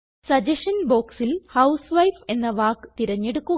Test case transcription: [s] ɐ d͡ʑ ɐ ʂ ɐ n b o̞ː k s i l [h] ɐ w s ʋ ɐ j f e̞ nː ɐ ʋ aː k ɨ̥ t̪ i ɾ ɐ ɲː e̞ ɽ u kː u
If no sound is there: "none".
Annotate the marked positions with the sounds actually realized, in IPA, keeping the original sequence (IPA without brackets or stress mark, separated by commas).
s, h